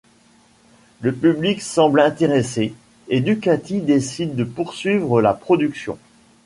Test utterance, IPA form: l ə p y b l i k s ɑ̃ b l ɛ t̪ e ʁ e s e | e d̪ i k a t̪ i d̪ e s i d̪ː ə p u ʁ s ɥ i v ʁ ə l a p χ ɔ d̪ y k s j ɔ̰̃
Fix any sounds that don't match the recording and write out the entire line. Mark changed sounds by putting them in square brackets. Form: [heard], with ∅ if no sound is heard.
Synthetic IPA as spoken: l ə p y b l i k s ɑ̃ b l [ɛ̃] t̪ e ʁ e s e | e d̪ [y] k a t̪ i d̪ e s i d̪ː ə p u ʁ s ɥ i v ʁ ə l a p χ ɔ d̪ y k s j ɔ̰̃

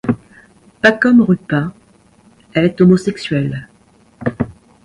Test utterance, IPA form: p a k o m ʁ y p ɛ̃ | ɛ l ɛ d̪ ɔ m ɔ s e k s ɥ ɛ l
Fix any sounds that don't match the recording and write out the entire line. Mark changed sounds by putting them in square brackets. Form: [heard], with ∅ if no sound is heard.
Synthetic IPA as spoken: p a k [ɔ] m ʁ y p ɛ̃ | ɛ l ɛ [t̪] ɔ m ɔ s [ɛ] k s ɥ ɛ l

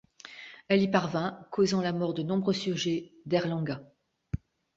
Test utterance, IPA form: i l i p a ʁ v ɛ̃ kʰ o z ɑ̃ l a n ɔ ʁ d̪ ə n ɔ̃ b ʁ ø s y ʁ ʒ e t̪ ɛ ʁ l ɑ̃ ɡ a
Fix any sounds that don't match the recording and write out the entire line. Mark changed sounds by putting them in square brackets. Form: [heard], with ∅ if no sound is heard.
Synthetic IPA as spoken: [ɛ] l i p a ʁ v ɛ̃ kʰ o z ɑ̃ l a [m] ɔ ʁ d̪ ə n ɔ̃ b ʁ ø s y ʁ ʒ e [d̪] ɛ ʁ l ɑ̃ ɡ a

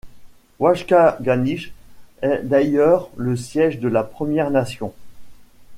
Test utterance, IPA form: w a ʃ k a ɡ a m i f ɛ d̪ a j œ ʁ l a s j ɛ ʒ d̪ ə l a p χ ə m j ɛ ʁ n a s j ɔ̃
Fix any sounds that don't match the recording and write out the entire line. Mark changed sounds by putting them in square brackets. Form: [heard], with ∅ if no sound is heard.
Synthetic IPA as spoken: w a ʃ k a ɡ a [n] i [ʃ] ɛ d̪ a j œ ʁ l [ə] s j ɛ ʒ d̪ ə l a p χ ə m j ɛ ʁ n a s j ɔ̃

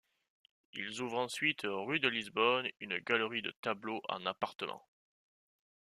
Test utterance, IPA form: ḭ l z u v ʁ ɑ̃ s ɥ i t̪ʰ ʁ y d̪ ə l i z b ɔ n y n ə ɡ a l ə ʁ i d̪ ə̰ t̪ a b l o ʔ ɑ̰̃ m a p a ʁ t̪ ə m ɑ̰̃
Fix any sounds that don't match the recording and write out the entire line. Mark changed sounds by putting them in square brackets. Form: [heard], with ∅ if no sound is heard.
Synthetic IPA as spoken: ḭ l z u v ʁ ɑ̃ s ɥ i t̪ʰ ʁ y d̪ ə l i z b ɔ n y n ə ɡ a l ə ʁ i d̪ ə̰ t̪ a b l o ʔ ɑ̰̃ [n] a p a ʁ t̪ ə m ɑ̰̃

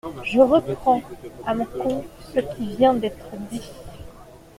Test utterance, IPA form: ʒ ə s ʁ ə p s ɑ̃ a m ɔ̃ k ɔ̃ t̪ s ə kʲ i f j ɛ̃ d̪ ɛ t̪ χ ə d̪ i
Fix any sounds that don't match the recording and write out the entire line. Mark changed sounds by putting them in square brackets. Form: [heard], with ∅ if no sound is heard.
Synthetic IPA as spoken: ʒ ə [∅] ʁ ə p [χ] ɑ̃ a m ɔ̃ k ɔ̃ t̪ s ə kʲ i [v] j ɛ̃ d̪ ɛ t̪ χ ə d̪ i

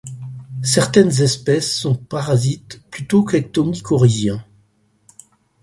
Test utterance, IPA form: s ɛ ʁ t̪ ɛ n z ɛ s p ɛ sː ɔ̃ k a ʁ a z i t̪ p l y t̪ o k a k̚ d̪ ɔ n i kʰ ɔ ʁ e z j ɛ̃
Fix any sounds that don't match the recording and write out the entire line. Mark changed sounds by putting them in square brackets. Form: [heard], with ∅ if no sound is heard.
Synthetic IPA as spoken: s ɛ ʁ t̪ ɛ n z ɛ s p ɛ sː ɔ̃ [p] a ʁ a z i t̪ p l y t̪ o k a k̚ [t̪] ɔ [m] i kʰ ɔ ʁ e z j ɛ̃

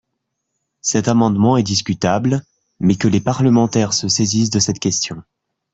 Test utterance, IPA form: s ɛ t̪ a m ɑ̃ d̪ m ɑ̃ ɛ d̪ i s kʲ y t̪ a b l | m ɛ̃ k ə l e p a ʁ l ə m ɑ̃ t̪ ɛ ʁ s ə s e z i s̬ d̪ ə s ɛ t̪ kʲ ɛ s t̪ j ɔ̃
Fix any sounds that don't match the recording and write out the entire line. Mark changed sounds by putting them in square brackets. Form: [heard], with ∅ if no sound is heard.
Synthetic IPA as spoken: s ɛ t̪ a m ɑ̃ d̪ m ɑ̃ ɛ d̪ i s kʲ y t̪ a b l | m [ɛ] k ə l e p a ʁ l ə m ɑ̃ t̪ ɛ ʁ s ə s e z i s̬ d̪ ə s ɛ t̪ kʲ ɛ s t̪ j ɔ̃

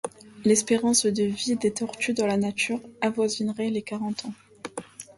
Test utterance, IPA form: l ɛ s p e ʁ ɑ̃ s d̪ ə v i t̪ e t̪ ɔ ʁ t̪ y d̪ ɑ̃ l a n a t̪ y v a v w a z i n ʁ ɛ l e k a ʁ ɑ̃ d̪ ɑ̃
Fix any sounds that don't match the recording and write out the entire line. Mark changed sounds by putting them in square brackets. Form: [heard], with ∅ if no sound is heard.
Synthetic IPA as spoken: l ɛ s p e ʁ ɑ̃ s d̪ ə v i [d̪] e t̪ ɔ ʁ t̪ y d̪ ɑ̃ l a n a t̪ y [ʁ] a v w a z i n ʁ ɛ l e k a ʁ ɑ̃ [t̪] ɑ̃

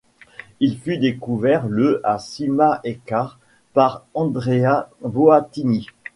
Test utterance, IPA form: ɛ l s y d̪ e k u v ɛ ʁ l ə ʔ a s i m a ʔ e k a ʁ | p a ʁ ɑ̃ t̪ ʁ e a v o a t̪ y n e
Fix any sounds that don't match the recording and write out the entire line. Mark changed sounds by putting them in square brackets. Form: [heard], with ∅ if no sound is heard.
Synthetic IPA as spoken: [i] l [f] y d̪ e k u v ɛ ʁ l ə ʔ a s i m a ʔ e k a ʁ | p a ʁ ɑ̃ [d̪] ʁ e a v o a t̪ [i] n [i]

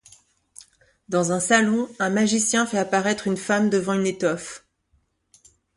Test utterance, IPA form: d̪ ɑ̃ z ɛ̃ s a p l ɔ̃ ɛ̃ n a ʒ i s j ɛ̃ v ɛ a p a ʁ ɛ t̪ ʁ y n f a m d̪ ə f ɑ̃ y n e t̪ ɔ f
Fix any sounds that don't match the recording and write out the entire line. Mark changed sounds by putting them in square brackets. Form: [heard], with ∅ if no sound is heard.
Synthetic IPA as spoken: d̪ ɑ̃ z ɛ̃ s a [∅] l ɔ̃ ɛ̃ [m] a ʒ i s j ɛ̃ [f] ɛ a p a ʁ ɛ t̪ [χ] y n f a m d̪ ə [v] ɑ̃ y n e t̪ ɔ f

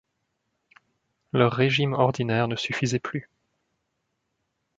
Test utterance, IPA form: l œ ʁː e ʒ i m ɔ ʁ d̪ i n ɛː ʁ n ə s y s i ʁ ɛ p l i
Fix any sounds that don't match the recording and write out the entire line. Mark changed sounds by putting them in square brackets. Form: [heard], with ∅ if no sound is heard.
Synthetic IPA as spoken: l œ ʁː e ʒ i m ɔ ʁ d̪ i n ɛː ʁ n ə s y [f] i [z] ɛ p l [y]

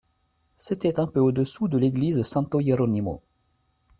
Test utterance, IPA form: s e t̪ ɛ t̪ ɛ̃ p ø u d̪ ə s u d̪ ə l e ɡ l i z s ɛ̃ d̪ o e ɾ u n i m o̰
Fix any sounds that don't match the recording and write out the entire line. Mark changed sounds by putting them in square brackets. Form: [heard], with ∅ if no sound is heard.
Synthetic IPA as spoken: s e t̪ ɛ t̪ ɛ̃ p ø [o] d̪ ə s u d̪ ə l e ɡ l i z s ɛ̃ [t̪] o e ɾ [ɔ] n i m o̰

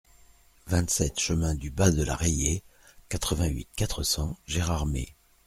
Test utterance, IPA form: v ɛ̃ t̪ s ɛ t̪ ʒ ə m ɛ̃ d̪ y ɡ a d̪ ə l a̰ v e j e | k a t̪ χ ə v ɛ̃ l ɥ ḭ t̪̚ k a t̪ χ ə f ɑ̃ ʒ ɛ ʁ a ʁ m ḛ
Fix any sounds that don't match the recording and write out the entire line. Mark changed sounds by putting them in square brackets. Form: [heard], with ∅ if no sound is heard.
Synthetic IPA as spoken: v ɛ̃ t̪ s ɛ t̪ [ʃ] ə m ɛ̃ d̪ y [b] a d̪ ə l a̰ [ʁ] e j e | k a t̪ χ ə v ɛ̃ [∅] ɥ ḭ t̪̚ k a t̪ χ ə [s] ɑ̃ ʒ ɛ ʁ a ʁ m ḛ

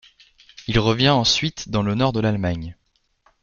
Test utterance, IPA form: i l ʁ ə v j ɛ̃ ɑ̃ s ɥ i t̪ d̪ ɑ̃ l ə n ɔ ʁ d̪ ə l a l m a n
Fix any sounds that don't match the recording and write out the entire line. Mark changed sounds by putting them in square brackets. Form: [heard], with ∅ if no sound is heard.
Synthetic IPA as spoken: i l ʁ ə v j ɛ̃ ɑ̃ s ɥ i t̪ d̪ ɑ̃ l ə n ɔ ʁ d̪ ə l a l m a [ɲ]

